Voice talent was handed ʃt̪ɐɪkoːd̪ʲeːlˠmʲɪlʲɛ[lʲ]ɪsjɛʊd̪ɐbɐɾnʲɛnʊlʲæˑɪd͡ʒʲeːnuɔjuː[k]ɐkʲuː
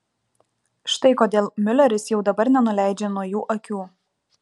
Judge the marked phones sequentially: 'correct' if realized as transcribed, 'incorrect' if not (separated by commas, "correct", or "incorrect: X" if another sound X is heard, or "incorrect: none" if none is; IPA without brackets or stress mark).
incorrect: ɾʲ, incorrect: ʔ